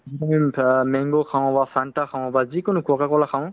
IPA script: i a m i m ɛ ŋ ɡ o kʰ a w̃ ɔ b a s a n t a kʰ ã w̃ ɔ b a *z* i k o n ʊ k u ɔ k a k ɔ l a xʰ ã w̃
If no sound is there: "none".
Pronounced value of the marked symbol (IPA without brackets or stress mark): z